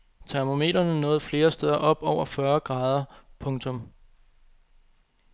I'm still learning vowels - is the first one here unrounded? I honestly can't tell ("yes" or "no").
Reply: yes